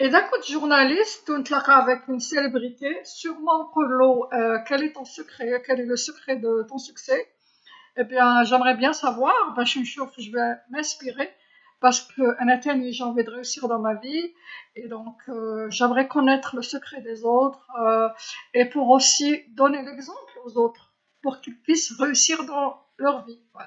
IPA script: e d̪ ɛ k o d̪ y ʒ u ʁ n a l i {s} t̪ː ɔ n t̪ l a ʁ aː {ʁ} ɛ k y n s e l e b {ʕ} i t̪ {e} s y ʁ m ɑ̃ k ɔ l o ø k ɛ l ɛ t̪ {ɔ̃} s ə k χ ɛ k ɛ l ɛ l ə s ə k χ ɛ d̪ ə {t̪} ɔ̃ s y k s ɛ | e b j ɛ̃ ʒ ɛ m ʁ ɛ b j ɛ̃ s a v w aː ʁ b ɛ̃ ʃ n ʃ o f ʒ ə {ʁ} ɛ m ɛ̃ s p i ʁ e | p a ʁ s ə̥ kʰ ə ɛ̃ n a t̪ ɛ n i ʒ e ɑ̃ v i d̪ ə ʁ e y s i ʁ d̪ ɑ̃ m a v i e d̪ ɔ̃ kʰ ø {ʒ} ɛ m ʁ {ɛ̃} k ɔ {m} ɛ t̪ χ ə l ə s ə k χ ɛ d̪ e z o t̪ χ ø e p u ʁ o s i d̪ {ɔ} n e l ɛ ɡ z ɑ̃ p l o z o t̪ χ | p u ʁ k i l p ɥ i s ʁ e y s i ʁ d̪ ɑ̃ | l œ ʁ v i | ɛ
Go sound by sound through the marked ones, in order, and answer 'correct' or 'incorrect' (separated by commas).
correct, incorrect, incorrect, correct, correct, correct, incorrect, correct, incorrect, incorrect, correct